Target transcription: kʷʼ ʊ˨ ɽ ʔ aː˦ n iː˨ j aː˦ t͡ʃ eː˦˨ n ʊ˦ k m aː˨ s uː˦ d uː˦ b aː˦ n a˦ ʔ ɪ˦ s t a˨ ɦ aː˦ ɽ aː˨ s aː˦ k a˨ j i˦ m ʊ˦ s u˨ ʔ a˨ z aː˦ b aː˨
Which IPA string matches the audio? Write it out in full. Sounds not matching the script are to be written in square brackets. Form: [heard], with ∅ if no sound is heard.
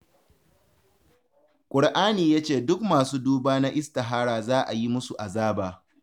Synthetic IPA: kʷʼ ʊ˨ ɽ ʔ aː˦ n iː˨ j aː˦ t͡ʃ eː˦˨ [d] ʊ˦ k m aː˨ s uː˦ d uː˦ b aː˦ n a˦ ʔ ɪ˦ s t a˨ ɦ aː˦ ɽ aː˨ [z] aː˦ [ʔ] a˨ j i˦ m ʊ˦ s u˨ ʔ a˨ z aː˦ b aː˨